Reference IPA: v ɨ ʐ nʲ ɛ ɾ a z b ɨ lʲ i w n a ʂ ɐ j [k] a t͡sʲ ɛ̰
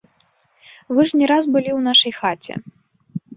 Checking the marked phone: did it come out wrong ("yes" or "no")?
yes